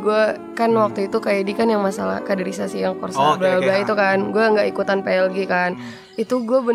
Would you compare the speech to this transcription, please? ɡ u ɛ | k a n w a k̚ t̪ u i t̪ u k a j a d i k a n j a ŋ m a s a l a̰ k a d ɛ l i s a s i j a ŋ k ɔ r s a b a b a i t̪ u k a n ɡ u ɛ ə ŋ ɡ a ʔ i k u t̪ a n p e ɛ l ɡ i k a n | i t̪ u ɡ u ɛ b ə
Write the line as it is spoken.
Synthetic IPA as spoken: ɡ u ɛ | k a n w a k̚ t̪ u i t̪ u k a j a d i k a n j a ŋ m a s a l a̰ k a d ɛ ɾ i s a s i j a ŋ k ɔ r s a b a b a i t̪ u k a n ɡ u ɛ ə ŋ ɡ a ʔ i k u t̪ a n p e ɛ l ɡ i k a n | i t̪ u ɡ u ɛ b ə